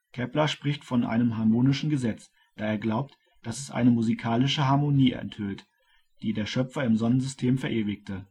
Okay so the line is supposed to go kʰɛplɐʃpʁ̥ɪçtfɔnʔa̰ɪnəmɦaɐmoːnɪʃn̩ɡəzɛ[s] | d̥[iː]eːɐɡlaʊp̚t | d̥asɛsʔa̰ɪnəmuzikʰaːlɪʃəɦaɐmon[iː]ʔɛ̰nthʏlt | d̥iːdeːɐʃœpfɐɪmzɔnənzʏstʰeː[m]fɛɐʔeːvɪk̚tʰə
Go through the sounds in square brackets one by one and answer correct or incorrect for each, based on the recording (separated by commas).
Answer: incorrect, incorrect, correct, correct